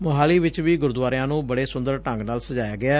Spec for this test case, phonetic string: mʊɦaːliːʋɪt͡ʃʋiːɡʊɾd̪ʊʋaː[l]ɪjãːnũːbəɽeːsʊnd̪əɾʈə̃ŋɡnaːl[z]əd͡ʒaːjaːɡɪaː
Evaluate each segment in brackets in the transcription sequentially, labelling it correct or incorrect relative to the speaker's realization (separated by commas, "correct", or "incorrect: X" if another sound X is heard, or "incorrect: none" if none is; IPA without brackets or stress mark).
incorrect: ɾ, incorrect: s